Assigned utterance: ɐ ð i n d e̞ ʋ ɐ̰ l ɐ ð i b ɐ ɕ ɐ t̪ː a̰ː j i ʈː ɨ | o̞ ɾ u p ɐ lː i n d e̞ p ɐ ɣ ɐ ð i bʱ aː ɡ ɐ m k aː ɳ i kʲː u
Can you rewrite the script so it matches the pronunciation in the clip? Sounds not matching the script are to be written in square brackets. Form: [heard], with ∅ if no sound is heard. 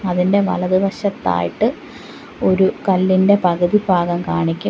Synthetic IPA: ɐ ð i n d e̞ ʋ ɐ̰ l ɐ ð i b ɐ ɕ ɐ t̪ː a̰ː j i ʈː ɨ | o̞ ɾ u [k] ɐ lː i n d e̞ p ɐ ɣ ɐ ð i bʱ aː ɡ ɐ m k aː ɳ i kʲː u